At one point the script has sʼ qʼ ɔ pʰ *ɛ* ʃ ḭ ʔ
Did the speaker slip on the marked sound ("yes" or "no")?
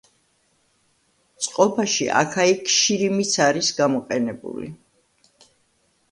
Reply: yes